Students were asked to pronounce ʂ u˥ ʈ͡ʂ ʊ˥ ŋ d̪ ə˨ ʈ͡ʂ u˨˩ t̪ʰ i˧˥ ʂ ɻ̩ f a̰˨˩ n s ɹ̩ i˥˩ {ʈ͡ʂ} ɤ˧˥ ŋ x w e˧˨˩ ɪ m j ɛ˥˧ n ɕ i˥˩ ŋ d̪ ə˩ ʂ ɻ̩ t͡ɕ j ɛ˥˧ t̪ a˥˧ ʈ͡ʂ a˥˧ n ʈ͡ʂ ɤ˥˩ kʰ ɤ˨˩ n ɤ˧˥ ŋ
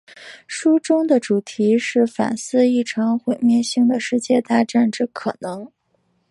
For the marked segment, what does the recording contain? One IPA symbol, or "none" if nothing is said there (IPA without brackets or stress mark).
ʈ͡ʂʰ